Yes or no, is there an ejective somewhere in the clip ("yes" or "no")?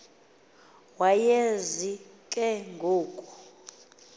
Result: yes